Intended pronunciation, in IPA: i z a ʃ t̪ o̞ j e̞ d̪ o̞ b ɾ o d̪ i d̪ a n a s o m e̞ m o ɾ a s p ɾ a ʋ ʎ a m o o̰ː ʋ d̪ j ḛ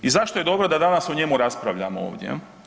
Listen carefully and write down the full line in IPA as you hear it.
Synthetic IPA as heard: i z a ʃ t̪ o̞ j e̞ d̪ o̞ b ɾ o d̪ a d̪ a n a s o ɲ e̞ m u ɾ a s p ɾ a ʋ ʎ a m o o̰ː ʋ d̪ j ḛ

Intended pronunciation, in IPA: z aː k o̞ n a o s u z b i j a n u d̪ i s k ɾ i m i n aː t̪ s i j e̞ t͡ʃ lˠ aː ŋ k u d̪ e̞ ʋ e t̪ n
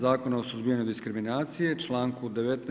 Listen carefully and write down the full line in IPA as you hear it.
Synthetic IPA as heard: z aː k o̞ n a o s u z b i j a ɲ u d̪ i s k ɾ i m i n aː t̪ s i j e̞ t͡ʃ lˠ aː ŋ k u d̪ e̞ ʋ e t̪ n

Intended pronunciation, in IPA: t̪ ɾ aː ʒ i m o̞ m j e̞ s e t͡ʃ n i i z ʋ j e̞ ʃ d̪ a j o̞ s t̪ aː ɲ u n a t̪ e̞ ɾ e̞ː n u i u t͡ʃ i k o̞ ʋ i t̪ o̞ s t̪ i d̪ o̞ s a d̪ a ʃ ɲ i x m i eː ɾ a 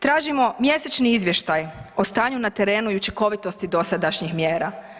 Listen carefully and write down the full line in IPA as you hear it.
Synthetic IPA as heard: t̪ ɾ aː ʒ i m o̞ m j e̞ s e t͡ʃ n i i z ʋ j e̞ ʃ t̪ a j o̞ s t̪ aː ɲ u n a t̪ e̞ ɾ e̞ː n u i u t͡ʃ i k o̞ ʋ i t̪ o̞ s t̪ i d̪ o̞ s a d̪ a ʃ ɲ i x m j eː ɾ a

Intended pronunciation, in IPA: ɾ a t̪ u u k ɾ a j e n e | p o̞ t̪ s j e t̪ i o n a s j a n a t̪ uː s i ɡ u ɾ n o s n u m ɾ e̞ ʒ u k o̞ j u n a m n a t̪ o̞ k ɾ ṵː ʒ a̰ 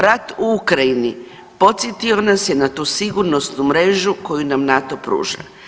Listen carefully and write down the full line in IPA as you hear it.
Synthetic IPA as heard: ɾ a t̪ u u k ɾ a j i n i | p o̞ t̪ s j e t̪ i o n a s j e n a t̪ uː s i ɡ u ɾ n o s n u m ɾ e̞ ʒ u k o̞ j u n a m n a t̪ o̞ p ɾ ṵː ʒ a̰

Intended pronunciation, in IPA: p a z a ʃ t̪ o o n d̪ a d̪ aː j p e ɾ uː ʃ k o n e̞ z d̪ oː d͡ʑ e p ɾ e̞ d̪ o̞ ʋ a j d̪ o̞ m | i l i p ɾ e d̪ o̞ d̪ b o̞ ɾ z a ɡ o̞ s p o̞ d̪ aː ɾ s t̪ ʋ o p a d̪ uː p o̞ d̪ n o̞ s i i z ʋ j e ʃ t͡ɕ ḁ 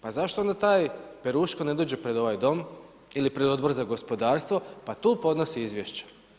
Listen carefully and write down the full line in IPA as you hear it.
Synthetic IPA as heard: p a z a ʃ t̪ o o n d̪ a t̪ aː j p e ɾ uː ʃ k o n e̞ d̪ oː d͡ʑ e p ɾ e̞ d̪ o̞ ʋ a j d̪ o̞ m | i l i p ɾ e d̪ o̞ d̪ b o̞ ɾ z a ɡ o̞ s p o̞ d̪ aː ɾ s t̪ ʋ o p a t̪ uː p o̞ d̪ n o̞ s i i z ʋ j e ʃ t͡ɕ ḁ

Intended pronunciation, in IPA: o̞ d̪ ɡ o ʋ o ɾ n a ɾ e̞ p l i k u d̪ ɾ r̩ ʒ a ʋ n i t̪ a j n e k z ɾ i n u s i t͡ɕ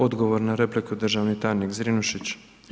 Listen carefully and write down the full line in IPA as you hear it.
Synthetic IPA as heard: o̞ d̪ ɡ o ʋ o ɾ n a ɾ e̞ p l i k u d̪ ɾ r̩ ʒ a ʋ n i t̪ a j n i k z ɾ i n u ʃ i t͡ɕ

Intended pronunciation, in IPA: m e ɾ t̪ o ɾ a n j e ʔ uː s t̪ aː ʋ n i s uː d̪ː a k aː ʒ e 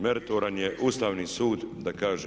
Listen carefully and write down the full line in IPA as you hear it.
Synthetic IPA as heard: m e ɾ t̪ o ɾ a n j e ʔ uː s t̪ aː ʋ n i s uː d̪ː a k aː ʒ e

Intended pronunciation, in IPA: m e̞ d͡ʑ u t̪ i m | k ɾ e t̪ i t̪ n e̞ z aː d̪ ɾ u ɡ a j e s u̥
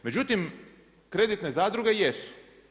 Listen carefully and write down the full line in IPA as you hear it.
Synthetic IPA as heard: m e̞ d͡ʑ u t̪ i m | k ɾ e d̪ i t̪ n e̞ z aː d̪ ɾ u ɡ e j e s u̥

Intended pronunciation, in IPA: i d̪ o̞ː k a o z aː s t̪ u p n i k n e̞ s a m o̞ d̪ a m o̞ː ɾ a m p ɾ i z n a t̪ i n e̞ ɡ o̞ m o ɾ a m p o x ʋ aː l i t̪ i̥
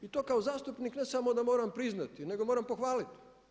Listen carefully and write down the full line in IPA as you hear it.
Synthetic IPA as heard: i t̪ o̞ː k a o z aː s t̪ u p n i k n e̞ s a m o̞ d̪ a m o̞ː ɾ a m p ɾ i z n a t̪ i n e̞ ɡ o̞ m o ɾ a m p o x ʋ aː l i t̪ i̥

